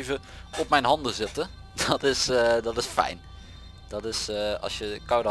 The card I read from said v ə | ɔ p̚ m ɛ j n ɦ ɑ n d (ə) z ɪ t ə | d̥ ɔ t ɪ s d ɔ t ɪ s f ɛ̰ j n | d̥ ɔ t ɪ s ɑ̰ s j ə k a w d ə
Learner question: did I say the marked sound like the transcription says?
yes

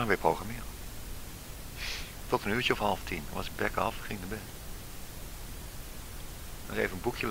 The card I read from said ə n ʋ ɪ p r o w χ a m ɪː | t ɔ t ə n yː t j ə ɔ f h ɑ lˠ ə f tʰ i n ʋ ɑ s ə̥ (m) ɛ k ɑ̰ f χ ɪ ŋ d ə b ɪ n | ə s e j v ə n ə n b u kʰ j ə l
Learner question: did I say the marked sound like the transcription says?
no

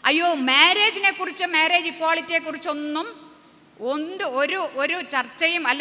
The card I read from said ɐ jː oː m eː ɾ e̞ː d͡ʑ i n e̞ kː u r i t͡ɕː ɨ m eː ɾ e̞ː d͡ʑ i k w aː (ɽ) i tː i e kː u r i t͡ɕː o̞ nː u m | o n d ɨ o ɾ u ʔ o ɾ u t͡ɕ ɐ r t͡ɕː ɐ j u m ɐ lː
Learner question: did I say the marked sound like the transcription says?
no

